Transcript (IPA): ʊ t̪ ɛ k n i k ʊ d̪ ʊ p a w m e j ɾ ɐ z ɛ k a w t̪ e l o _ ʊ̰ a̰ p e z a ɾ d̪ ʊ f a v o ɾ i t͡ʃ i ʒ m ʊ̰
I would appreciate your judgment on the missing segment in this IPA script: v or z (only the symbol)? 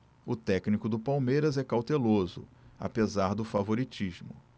z